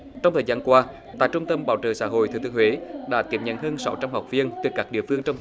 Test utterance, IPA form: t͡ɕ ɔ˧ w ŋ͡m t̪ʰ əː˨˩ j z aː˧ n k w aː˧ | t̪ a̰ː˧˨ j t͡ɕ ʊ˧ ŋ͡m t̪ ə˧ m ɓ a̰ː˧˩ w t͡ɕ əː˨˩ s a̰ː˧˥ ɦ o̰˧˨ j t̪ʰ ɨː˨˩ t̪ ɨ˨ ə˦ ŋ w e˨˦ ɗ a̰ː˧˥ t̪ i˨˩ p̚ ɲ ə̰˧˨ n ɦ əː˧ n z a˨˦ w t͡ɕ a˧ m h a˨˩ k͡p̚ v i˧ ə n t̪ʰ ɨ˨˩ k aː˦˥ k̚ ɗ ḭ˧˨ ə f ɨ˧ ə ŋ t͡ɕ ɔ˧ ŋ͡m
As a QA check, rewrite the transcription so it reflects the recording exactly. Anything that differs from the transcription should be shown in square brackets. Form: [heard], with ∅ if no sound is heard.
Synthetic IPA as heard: t͡ɕ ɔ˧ w ŋ͡m t̪ʰ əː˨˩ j z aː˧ n k w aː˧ | t̪ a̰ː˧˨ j t͡ɕ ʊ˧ ŋ͡m t̪ ə˧ m ɓ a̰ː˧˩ w t͡ɕ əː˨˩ s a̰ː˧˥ ɦ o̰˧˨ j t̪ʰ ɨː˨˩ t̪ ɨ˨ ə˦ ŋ w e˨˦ ɗ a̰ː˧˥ t̪ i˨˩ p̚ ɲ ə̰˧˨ n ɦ əː˧ n [s] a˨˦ w t͡ɕ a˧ m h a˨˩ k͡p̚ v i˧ ə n [t̪] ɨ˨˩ k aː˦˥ k̚ ɗ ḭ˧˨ ə f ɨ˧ ə ŋ t͡ɕ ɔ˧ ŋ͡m

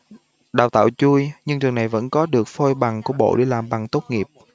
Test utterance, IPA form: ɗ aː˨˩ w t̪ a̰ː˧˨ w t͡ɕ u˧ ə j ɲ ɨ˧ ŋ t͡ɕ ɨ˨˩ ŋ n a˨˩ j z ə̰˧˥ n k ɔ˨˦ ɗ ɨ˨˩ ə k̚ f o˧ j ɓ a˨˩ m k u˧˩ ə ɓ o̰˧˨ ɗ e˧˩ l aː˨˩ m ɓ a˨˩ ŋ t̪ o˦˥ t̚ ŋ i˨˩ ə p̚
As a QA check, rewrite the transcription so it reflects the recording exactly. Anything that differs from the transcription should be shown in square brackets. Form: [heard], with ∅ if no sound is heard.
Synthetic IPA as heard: ɗ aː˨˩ w t̪ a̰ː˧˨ w t͡ɕ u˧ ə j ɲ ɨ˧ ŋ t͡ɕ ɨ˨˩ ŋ n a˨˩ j [v] ə̰˧˥ n k ɔ˨˦ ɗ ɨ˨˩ ə k̚ f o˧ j ɓ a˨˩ [ŋ] k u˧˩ ə ɓ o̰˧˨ ɗ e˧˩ l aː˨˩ m ɓ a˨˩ ŋ t̪ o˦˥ t̚ ŋ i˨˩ ə p̚

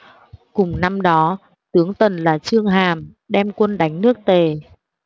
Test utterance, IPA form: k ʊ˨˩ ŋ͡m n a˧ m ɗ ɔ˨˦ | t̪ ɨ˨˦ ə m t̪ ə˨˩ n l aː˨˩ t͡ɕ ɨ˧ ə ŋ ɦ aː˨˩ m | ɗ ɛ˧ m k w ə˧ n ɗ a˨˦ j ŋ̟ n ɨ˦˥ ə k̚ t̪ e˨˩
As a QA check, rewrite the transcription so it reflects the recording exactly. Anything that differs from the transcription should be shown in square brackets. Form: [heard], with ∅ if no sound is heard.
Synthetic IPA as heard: k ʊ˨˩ ŋ͡m n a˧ m ɗ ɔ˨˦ | t̪ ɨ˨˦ ə [ŋ] t̪ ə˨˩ n l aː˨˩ t͡ɕ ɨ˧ ə ŋ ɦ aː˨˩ m | ɗ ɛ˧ m k w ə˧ n ɗ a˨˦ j ŋ̟ n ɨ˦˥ ə k̚ t̪ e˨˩

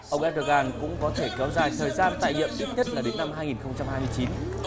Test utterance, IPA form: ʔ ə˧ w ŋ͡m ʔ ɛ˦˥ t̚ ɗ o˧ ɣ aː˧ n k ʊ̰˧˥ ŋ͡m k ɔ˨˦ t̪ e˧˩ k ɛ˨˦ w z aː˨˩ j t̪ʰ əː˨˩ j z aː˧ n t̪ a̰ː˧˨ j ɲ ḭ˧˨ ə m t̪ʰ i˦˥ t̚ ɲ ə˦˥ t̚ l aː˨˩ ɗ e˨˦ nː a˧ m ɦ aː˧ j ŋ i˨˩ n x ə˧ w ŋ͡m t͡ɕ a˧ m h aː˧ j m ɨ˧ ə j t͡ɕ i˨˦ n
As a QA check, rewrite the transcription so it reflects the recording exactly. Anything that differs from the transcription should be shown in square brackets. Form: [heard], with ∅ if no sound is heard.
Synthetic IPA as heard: ʔ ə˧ w ŋ͡m ʔ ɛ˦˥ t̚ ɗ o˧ ɣ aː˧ n k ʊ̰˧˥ ŋ͡m k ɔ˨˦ [t̪ʰ] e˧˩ k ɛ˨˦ w z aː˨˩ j t̪ʰ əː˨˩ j z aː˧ n t̪ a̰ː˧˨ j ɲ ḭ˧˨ ə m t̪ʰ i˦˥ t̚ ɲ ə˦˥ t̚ l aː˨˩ ɗ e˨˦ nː a˧ m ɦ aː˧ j ŋ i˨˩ n x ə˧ w ŋ͡m t͡ɕ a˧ m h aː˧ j m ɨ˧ ə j t͡ɕ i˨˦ n

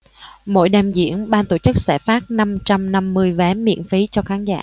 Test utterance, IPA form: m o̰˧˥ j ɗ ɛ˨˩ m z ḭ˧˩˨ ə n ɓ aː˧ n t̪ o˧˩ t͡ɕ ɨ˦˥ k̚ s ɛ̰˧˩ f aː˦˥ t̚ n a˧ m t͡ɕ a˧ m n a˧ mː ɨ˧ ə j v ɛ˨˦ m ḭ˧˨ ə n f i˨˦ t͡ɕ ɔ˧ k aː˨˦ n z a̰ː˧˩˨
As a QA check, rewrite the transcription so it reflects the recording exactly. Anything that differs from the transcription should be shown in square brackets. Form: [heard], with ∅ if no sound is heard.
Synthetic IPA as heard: m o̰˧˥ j ɗ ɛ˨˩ m z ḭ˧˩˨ ə n ɓ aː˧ n t̪ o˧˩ t͡ɕ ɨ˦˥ k̚ s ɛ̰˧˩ f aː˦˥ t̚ n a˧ m t͡ɕ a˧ m n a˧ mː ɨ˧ ə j v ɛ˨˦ m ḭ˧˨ ə n f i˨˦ t͡ɕ ɔ˧ [x] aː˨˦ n z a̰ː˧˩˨

